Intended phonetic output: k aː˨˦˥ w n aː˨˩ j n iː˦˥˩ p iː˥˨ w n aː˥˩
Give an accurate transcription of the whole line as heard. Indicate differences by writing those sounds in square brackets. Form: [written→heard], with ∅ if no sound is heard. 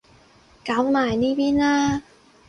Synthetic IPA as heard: k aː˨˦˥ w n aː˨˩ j n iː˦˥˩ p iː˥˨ [w→∅] n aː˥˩